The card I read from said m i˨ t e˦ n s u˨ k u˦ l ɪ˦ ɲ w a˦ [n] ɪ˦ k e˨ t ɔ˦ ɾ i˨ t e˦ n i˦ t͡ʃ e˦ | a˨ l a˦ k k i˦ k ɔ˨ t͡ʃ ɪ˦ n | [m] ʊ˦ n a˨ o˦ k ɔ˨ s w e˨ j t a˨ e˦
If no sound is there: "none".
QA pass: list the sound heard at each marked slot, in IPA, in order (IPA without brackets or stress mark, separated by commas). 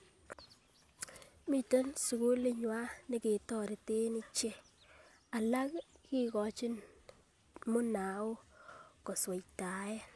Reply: n, m